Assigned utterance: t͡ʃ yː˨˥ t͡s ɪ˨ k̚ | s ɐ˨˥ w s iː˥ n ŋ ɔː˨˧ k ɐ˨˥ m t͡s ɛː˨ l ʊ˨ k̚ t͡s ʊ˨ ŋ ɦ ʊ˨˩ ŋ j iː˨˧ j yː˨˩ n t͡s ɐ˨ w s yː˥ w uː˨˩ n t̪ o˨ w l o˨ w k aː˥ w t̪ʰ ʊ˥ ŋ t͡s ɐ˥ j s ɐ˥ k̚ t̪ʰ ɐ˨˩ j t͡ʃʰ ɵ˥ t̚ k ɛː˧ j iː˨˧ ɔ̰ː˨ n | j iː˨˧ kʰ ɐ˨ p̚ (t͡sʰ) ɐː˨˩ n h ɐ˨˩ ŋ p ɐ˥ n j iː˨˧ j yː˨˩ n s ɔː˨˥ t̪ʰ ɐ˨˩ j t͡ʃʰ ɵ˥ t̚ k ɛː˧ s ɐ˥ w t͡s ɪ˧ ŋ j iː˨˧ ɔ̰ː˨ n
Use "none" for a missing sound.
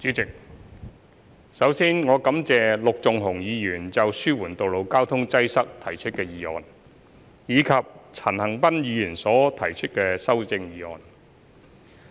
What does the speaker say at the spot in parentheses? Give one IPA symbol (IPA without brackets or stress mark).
t͡sʰ